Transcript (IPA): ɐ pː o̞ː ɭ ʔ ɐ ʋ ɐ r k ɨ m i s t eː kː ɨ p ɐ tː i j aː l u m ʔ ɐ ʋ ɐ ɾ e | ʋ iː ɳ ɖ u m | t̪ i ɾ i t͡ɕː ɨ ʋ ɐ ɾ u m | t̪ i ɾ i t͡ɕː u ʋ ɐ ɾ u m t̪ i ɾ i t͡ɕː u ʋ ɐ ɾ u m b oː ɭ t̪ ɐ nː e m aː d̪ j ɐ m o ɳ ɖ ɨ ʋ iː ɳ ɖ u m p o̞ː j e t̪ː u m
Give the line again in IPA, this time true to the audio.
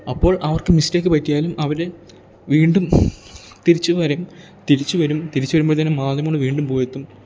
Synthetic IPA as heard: ɐ pː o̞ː ɭ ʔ ɐ ʋ ɐ r k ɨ m i s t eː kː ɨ p ɐ tː i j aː l u m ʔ ɐ ʋ ɐ ɾ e | ʋ iː ɳ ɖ u m | t̪ i ɾ i t͡ɕː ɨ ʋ ɐ ɾ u m | t̪ i ɾ i t͡ɕː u ʋ ɐ ɾ u m t̪ i ɾ i t͡ɕː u ʋ ɐ ɾ u m b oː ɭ t̪ ɐ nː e m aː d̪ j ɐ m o ɳ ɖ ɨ ʋ iː ɳ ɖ u m p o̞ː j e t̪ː u m